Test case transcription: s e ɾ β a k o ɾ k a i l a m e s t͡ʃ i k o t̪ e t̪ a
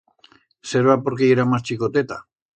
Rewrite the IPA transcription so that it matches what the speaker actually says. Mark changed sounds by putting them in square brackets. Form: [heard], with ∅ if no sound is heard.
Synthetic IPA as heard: s e ɾ β a [p] o ɾ k [e] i [ɾ] a m [a] s t͡ʃ i k o t̪ e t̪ a